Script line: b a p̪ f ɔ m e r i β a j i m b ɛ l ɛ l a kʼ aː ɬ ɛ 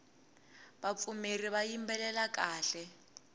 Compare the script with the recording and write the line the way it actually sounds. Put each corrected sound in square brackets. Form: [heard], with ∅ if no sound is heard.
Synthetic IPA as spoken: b a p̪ f [u] m e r i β a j i m b ɛ l ɛ l a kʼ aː ɬ ɛ